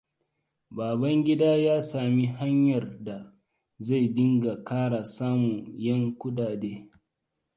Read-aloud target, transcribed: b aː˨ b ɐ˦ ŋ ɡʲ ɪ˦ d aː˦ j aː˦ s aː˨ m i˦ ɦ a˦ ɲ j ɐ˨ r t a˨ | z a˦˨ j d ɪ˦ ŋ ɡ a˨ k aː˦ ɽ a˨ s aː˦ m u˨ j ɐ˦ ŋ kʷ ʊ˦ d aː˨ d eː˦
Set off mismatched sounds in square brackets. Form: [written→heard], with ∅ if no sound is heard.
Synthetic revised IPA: b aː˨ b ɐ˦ ŋ ɡʲ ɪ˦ d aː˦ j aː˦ s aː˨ m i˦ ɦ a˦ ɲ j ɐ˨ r [t→d] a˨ | z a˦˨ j d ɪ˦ ŋ ɡ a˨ k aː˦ ɽ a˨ s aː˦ m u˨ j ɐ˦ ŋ kʷ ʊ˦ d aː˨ d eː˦